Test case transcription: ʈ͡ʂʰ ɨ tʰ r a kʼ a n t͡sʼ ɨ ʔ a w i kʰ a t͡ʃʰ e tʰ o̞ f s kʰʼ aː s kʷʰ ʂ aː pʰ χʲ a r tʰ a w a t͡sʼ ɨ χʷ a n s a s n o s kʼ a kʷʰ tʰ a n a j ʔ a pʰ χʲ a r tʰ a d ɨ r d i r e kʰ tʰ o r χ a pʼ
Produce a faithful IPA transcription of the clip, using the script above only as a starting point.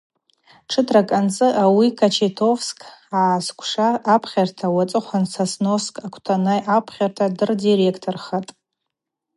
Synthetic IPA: ʈ͡ʂʰ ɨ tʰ r a kʼ a n t͡sʼ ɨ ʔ a w i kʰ a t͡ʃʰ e tʰ o̞ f s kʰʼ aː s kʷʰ ʂ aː pʰ χʲ a r tʰ a w a t͡sʼ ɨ χʷ a n s a s n o s kʼ a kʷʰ tʰ a n a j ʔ a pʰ χʲ a r tʰ a d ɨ r d i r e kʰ tʰ o r χ a tʼ